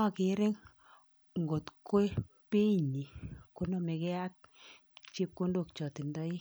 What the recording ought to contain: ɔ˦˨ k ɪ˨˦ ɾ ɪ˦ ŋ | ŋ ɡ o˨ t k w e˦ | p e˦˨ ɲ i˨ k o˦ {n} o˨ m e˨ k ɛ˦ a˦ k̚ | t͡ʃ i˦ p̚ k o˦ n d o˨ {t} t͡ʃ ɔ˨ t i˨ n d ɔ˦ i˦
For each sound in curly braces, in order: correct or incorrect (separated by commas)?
correct, incorrect